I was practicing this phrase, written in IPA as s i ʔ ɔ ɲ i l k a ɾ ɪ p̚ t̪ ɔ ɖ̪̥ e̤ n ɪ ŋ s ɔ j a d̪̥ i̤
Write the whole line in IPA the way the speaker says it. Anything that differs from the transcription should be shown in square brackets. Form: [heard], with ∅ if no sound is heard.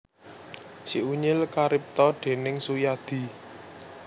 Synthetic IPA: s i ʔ [u] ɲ [ɪ] l k a ɾ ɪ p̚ t̪ ɔ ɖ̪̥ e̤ n ɪ ŋ s [u] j a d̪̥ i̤